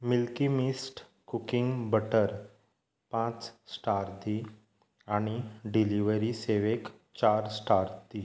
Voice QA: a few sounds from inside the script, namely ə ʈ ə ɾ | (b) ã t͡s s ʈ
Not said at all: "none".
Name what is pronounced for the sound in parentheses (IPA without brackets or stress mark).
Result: p